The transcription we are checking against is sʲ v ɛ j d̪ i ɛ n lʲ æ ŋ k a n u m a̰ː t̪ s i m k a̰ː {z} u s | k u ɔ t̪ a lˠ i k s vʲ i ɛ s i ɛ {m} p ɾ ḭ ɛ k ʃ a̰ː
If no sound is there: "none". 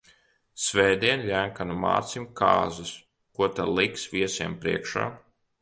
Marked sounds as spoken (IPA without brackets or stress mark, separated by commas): z, m